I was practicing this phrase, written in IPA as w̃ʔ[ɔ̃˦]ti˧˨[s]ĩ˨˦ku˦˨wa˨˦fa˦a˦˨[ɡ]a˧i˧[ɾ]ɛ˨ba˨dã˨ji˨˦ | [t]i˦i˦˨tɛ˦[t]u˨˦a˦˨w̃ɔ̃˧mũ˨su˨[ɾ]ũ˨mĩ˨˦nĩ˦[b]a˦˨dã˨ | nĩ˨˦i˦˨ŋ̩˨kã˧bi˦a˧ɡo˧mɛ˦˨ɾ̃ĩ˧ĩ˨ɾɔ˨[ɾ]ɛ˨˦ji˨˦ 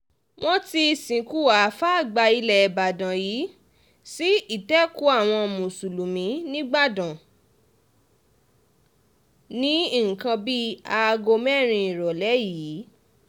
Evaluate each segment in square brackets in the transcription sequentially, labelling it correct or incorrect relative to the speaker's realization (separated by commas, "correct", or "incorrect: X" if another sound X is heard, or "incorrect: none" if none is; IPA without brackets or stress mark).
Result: correct, correct, incorrect: ɡ͡b, incorrect: l, incorrect: s, incorrect: k, incorrect: l, incorrect: ɡ͡b, incorrect: l